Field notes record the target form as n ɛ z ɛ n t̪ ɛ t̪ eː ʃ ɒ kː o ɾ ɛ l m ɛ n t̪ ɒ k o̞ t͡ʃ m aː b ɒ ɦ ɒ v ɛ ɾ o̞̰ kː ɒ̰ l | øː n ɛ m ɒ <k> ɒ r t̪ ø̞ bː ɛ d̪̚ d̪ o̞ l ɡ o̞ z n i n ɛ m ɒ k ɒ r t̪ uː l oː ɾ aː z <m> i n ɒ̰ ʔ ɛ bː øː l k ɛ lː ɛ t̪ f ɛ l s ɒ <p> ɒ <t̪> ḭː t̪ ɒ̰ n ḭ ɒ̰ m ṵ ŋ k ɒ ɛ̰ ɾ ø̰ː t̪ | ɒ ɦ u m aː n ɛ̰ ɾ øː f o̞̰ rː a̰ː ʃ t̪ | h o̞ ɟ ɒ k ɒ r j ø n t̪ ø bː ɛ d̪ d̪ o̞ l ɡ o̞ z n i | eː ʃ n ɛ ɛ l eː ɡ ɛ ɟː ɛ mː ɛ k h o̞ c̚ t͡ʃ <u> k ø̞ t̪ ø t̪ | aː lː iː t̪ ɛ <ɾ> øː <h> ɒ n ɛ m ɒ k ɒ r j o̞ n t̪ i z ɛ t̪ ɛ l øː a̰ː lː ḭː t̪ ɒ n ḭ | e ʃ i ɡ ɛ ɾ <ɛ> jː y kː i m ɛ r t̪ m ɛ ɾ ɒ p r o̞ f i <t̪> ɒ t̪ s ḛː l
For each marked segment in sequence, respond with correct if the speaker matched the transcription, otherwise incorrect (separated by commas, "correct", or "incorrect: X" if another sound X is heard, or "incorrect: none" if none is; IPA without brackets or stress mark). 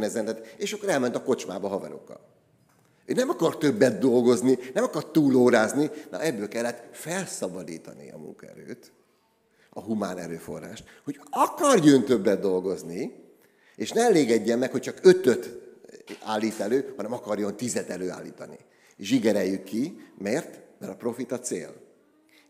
correct, incorrect: n, incorrect: b, incorrect: d̪, incorrect: ɒ, incorrect: l, correct, correct, correct